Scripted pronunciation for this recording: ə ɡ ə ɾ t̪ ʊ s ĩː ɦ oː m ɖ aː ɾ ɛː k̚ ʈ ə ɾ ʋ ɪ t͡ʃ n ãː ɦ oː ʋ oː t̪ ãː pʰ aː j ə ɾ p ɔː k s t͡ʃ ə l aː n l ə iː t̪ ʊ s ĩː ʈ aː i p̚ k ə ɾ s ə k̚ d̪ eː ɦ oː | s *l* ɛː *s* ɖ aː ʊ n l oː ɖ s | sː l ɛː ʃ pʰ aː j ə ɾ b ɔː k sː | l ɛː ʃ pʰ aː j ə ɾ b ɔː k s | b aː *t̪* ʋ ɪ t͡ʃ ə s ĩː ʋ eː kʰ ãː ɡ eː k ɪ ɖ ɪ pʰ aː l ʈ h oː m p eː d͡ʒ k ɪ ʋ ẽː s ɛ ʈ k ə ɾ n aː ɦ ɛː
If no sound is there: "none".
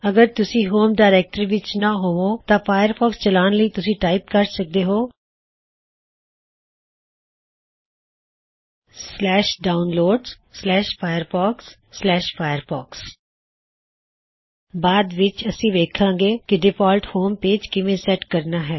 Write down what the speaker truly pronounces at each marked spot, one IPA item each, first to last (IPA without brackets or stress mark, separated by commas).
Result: l, ʃ, d̪